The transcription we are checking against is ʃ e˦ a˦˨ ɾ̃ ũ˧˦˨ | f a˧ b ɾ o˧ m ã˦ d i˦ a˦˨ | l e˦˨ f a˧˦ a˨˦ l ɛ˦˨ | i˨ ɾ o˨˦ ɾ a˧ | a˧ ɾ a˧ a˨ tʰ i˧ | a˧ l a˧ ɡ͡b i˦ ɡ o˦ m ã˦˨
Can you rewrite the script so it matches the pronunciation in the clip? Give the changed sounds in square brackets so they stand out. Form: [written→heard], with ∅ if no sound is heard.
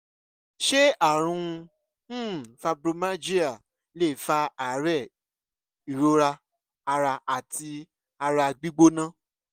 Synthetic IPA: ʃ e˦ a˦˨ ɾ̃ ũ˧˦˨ | f a˧ b ɾ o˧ m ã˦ [d→d͡ʒ] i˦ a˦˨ | l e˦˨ f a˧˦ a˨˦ [l→ɾ] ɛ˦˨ | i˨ ɾ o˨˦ ɾ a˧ | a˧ ɾ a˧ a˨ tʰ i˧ | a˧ [l→ɾ] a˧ ɡ͡b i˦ [ɡ→ɡ͡b] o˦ [m→n] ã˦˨